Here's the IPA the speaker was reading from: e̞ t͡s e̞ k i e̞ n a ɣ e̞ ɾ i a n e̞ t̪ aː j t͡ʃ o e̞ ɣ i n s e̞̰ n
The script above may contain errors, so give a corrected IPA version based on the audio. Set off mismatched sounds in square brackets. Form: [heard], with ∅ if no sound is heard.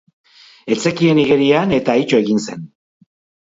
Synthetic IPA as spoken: e̞ t͡s e̞ k i e̞ n [i] ɣ e̞ ɾ i a n e̞ t̪ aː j t͡ʃ o e̞ ɣ i n s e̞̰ n